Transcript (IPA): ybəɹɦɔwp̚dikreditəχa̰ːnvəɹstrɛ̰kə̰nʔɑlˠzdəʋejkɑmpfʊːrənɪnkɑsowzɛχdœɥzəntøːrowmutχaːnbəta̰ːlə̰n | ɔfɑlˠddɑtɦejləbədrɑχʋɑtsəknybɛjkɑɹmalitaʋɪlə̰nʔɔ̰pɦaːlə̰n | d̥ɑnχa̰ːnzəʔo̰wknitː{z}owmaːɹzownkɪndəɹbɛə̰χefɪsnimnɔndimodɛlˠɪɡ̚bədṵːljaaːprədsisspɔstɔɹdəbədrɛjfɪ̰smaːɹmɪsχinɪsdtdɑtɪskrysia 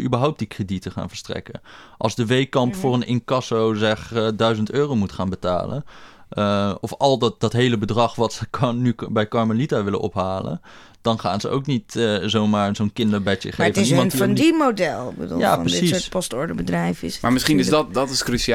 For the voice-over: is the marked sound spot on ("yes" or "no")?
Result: yes